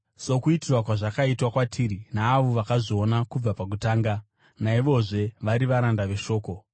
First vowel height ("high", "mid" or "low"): mid